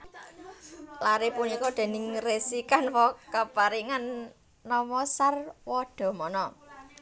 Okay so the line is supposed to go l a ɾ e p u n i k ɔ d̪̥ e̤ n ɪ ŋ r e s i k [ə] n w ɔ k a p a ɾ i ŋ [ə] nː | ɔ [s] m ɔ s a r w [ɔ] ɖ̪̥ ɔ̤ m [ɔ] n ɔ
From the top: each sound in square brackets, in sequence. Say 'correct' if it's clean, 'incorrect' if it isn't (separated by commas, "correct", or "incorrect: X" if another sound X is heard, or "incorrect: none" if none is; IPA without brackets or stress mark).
incorrect: a, incorrect: a, incorrect: none, correct, correct